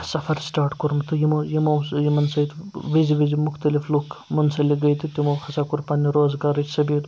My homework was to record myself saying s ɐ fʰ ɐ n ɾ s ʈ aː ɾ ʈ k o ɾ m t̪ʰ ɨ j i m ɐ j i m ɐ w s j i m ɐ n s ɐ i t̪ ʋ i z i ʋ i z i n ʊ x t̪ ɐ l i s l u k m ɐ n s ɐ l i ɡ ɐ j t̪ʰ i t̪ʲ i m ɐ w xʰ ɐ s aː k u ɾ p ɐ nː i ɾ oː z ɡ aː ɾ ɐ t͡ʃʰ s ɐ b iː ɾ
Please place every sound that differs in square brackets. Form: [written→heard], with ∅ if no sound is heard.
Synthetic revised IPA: s ɐ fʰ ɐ [n→∅] ɾ s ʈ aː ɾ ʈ k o ɾ m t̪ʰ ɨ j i m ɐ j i m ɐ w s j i m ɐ n s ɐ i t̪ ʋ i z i ʋ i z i [n→m] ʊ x t̪ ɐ l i [s→f] l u k m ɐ n s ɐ l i ɡ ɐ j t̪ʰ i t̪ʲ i m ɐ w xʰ ɐ s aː k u ɾ p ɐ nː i ɾ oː z ɡ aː ɾ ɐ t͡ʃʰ s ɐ b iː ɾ